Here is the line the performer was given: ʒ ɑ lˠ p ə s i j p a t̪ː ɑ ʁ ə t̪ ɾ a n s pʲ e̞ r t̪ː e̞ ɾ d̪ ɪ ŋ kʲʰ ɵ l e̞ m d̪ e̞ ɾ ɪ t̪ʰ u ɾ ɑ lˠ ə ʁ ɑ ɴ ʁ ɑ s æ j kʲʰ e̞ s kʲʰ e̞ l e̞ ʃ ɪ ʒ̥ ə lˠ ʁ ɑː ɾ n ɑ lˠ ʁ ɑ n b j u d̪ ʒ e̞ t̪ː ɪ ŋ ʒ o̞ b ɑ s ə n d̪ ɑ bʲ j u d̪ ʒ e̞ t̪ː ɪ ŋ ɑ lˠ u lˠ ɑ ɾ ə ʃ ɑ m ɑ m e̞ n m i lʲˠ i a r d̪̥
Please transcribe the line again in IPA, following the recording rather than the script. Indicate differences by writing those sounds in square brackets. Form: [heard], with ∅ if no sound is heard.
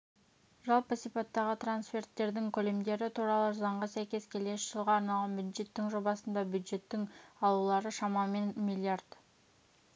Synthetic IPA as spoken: ʒ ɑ lˠ p ə s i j p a t̪ː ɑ ʁ ə t̪ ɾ a n s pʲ e̞ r t̪ː e̞ ɾ d̪ ɪ ŋ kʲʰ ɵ l e̞ m d̪ e̞ ɾ ɪ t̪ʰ u ɾ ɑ lˠ ə [z] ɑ ɴ ʁ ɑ s æ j [kʲ] e̞ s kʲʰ e̞ l e̞ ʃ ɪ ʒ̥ ə lˠ ʁ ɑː ɾ n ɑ lˠ ʁ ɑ n b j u d̪ ʒ e̞ t̪ː ɪ ŋ ʒ o̞ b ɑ s ə n d̪ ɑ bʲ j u d̪ ʒ e̞ t̪ː ɪ ŋ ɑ lˠ u lˠ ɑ ɾ ə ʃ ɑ m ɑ m e̞ n m i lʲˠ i a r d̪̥